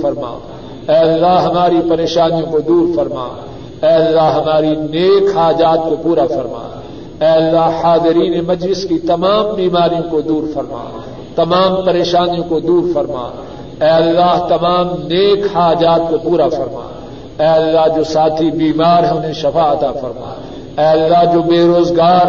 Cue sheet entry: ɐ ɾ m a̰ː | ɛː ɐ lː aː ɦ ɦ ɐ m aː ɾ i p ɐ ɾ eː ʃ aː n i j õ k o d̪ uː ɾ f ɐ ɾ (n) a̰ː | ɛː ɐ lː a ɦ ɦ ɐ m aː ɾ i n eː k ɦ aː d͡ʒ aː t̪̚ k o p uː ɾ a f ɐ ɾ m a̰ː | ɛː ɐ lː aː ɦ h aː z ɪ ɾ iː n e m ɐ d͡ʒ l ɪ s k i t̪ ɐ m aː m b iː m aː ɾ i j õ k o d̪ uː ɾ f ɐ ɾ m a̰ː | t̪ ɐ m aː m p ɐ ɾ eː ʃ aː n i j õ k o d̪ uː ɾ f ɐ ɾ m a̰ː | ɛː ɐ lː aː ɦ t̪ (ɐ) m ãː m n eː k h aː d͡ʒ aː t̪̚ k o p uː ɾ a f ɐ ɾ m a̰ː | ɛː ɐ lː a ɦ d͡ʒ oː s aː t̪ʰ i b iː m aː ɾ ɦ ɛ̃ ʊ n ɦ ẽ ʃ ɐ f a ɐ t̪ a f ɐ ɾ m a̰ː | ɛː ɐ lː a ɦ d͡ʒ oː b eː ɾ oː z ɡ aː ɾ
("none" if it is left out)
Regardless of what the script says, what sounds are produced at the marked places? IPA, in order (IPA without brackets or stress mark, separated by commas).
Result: m, ɐ